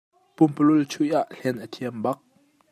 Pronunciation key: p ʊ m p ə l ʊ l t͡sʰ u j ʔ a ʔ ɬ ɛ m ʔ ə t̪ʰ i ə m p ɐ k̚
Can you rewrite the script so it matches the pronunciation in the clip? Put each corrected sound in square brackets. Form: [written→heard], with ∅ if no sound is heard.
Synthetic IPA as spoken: p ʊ m p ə l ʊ l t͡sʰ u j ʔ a ʔ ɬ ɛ [m→n] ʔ ə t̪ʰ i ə m [p→b] ɐ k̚